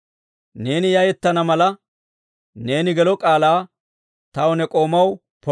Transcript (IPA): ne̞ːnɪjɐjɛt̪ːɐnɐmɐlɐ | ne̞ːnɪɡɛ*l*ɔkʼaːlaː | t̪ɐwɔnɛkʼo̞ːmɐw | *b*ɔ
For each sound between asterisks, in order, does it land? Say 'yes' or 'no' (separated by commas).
yes, no